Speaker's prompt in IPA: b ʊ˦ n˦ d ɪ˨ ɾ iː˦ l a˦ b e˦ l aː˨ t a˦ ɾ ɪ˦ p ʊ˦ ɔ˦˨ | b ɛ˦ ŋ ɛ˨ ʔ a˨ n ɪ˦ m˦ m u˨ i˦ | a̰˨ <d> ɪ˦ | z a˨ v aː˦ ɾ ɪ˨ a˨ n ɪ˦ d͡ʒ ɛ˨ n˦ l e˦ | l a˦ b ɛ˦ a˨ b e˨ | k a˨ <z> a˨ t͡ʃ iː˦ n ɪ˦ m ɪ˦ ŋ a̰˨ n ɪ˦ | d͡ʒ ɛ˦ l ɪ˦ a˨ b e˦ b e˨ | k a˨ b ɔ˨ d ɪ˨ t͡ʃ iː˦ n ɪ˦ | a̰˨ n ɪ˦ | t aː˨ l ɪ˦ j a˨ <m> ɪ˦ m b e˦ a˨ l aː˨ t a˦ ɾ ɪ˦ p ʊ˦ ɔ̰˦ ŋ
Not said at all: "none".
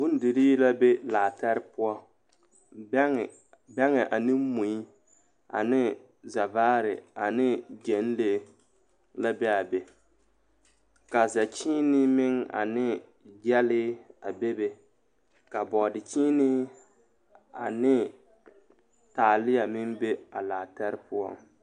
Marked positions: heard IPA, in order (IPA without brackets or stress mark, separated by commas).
n, z, m